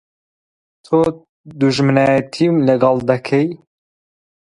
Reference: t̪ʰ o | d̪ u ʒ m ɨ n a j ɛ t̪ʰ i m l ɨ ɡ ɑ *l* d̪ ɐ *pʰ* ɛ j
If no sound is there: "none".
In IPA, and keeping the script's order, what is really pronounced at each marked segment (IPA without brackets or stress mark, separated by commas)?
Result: l, kʰ